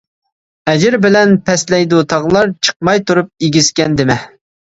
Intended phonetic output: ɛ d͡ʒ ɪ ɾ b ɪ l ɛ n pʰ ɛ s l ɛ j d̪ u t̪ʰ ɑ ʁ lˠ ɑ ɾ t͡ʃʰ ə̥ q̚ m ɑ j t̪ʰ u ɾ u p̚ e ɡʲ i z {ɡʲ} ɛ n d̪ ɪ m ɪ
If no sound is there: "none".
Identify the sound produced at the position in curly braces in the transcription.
kʲ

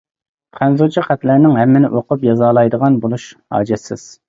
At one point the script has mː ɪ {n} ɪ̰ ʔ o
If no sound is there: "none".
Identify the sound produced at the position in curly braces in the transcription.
n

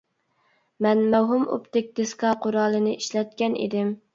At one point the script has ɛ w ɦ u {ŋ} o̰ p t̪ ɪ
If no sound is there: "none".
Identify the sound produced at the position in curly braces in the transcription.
m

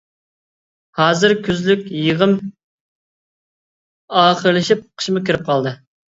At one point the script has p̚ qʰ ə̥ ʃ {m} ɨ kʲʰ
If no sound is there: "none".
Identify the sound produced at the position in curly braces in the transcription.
m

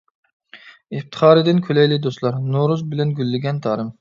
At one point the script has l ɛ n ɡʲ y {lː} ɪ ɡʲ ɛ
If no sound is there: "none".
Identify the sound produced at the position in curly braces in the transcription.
lː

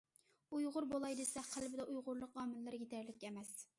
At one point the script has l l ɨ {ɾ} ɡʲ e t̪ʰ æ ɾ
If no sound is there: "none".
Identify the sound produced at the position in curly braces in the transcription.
ɾ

